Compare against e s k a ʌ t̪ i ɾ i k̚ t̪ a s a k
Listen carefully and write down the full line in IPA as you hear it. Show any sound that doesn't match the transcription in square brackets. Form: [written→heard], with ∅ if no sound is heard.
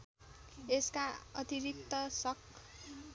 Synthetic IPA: e s k a ʌ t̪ i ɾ i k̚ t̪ [a→ʌ] s [a→ʌ] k